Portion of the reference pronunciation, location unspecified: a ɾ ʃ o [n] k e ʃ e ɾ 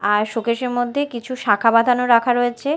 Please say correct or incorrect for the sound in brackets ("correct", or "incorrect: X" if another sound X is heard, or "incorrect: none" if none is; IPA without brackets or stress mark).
incorrect: none